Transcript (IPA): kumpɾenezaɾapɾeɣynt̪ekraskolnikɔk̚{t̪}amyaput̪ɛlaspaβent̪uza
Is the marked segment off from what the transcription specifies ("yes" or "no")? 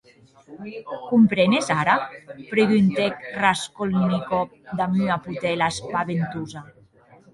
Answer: yes